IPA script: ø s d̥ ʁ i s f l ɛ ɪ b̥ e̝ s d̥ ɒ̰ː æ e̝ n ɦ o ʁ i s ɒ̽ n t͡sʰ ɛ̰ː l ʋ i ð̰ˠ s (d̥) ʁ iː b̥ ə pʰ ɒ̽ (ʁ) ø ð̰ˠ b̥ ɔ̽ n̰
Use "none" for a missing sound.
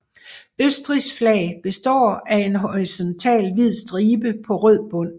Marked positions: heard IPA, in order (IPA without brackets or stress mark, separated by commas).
d̥, ʁ